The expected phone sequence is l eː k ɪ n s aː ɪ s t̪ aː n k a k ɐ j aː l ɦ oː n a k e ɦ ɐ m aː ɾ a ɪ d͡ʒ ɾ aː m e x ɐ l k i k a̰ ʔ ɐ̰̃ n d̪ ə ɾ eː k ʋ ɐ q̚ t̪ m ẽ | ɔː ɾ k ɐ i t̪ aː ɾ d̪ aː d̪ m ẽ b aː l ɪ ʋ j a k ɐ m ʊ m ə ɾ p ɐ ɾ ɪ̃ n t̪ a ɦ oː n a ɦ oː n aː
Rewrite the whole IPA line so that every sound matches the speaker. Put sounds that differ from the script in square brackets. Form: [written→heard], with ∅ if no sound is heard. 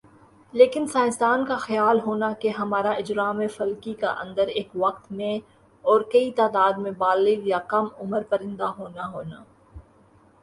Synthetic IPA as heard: l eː k ɪ n s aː ɪ s t̪ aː n k a [k→x] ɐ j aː l ɦ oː n a k e ɦ ɐ m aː ɾ a ɪ d͡ʒ ɾ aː m e [x→f] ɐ l k i k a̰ ʔ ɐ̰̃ n d̪ ə ɾ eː k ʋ ɐ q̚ t̪ m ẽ | ɔː ɾ k ɐ i t̪ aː [ɾ→∅] d̪ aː d̪ m ẽ b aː l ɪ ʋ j a k ɐ m ʊ m ə ɾ p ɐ ɾ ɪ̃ n [t̪→d̪] a ɦ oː n a ɦ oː n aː